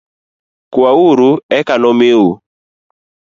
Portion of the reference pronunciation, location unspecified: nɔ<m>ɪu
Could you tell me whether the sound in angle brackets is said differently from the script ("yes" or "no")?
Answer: no